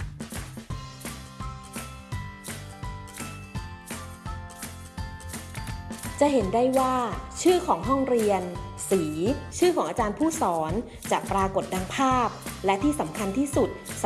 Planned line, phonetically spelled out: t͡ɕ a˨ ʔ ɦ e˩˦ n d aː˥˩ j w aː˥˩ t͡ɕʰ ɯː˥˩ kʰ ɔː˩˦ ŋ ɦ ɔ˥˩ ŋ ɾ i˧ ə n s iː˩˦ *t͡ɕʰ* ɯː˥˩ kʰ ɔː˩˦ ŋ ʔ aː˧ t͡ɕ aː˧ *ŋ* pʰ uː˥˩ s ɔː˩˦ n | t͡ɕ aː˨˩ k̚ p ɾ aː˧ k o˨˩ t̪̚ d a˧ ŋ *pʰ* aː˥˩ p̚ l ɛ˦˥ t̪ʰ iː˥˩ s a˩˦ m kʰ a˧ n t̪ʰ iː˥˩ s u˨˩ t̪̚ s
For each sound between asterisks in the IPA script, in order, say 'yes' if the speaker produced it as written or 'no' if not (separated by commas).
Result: yes, no, yes